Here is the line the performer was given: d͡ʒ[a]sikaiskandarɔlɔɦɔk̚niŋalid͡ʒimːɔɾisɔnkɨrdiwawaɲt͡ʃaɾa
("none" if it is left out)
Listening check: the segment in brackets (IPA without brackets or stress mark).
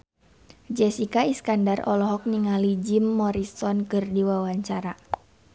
ɛ